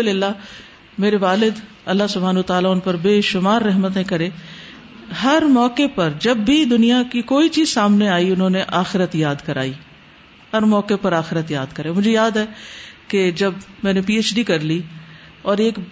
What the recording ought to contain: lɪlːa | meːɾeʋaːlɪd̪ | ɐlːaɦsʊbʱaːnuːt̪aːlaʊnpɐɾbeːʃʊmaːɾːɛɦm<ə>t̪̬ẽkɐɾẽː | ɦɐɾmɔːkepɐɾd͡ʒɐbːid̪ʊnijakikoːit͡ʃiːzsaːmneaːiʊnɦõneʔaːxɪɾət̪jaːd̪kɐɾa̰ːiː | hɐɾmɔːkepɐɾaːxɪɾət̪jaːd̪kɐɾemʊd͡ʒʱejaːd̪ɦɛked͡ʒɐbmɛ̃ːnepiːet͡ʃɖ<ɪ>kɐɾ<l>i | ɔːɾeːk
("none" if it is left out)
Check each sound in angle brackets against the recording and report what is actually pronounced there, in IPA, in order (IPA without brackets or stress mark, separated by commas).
ə, i, l